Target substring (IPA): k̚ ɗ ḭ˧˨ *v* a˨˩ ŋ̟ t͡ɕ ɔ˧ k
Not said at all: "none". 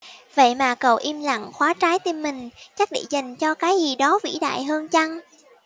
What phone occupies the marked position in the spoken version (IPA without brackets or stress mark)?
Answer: z